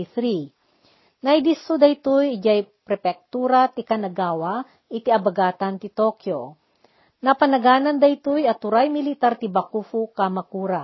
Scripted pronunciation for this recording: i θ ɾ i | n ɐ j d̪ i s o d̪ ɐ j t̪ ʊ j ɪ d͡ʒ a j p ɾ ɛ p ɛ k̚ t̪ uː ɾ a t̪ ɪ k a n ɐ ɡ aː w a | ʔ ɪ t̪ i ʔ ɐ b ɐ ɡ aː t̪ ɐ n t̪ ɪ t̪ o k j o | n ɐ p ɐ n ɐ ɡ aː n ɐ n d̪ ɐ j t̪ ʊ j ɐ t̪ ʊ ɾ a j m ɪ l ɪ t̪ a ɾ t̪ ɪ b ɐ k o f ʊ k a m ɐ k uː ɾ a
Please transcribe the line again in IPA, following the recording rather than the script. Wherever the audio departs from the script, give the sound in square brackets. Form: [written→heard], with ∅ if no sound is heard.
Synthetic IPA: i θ ɾ i | n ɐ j d̪ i s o d̪ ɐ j t̪ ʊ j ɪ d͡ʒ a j p ɾ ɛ p ɛ k̚ t̪ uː ɾ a t̪ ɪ k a n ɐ ɡ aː w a | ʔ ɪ t̪ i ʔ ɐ b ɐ ɡ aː t̪ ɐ n t̪ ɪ t̪ o k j o | n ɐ p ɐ n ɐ ɡ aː n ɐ n d̪ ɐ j t̪ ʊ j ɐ t̪ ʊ ɾ a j m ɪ l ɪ t̪ a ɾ t̪ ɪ b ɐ k [o→u] f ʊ k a m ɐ k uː ɾ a